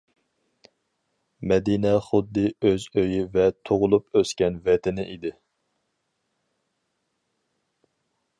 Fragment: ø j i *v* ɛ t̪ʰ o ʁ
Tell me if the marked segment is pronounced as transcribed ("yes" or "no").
yes